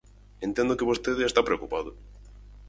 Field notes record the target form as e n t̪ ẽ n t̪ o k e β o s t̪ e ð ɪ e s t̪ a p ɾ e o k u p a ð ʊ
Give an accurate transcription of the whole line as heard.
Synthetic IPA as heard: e n t̪ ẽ n d̪ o k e β o s t̪ e ð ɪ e s t̪ a p ɾ e o k u p a ð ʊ

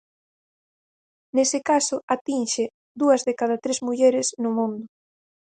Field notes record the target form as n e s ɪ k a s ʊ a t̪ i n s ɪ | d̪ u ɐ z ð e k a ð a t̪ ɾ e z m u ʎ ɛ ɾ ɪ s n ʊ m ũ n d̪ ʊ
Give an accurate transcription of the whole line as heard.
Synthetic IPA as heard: n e s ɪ k a s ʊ a t̪ i n ʃ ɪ | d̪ u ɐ z ð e k a ð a t̪ ɾ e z m u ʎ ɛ ɾ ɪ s n ʊ m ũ n d̪ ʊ

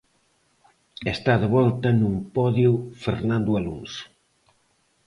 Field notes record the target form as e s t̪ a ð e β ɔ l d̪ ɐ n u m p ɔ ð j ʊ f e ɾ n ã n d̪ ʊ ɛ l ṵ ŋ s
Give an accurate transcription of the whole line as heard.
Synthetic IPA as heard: e s t̪ a ð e β ɔ l t̪ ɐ n u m p ɔ ð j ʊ f e ɾ n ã n d̪ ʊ a l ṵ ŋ s

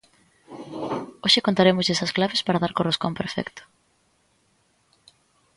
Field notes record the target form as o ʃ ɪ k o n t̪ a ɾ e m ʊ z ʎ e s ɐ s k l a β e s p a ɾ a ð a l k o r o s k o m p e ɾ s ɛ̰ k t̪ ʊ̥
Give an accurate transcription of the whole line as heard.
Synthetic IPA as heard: o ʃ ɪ k o n t̪ a ɾ e m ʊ z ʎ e s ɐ s k l a β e s p a ɾ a ð a ɾ k o r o s k o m p e ɾ f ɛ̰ k t̪ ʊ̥

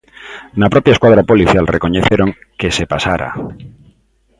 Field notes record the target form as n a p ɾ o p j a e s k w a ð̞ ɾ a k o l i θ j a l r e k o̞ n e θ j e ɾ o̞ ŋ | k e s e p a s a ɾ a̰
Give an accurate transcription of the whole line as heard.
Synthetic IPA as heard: n a p ɾ o p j a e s k w a ð̞ ɾ a p o l i θ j a l r e k o̞ ɲ e θ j e ɾ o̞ ŋ | k e s e p a s a ɾ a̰

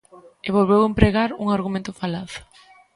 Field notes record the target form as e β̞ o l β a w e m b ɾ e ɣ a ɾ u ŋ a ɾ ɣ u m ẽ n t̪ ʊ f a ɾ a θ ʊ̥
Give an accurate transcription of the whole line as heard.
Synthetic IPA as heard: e β̞ o l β e w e m p ɾ e ɣ a ɾ u ŋ a ɾ ɣ u m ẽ n t̪ ʊ f a l a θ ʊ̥

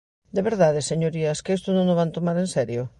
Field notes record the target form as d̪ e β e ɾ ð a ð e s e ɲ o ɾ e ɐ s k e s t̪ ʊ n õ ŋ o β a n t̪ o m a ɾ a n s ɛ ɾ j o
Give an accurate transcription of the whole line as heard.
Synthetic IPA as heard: d̪ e β e ɾ ð a ð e s e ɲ o ɾ i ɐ s k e s t̪ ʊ n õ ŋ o β a n t̪ o m a ɾ e n s ɛ ɾ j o

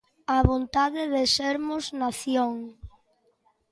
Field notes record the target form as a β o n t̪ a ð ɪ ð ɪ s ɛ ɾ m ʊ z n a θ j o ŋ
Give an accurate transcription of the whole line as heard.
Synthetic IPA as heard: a β o n t̪ a ð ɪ ð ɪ s e ɾ m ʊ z n a θ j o ŋ

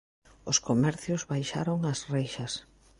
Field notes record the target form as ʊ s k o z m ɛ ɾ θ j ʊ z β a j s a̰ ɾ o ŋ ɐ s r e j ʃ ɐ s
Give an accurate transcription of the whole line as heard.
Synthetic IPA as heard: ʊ s k o m ɛ ɾ θ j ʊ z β a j ʃ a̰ ɾ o ŋ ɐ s r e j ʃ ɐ s

